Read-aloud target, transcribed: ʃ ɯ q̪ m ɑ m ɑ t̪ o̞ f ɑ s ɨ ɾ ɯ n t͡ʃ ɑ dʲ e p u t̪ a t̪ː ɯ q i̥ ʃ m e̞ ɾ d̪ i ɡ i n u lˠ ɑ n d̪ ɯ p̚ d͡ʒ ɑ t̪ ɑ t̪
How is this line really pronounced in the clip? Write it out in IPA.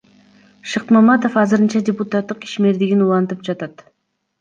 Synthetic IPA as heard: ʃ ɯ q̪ m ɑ m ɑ t̪ o̞ f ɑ z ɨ ɾ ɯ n t͡ʃ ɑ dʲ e p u t̪ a t̪ː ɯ q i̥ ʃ m e̞ ɾ d̪ i ɡ i n u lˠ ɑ n t̪ ɯ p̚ d͡ʒ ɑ t̪ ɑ t̪